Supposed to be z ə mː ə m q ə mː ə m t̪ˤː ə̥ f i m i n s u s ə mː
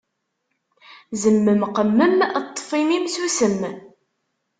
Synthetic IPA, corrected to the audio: z ə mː ə m q ə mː ə m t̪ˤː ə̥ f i m i m s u s ə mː